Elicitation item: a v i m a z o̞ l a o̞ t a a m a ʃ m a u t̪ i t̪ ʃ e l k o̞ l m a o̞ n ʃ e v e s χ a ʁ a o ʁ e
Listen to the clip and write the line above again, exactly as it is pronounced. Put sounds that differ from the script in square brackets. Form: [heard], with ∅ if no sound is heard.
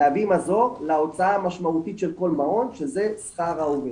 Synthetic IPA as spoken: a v i m a z o̞ l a o̞ [t͡s] a a m a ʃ m a u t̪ i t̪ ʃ e l k o̞ l m a o̞ n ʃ e [z] e s χ a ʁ a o [v] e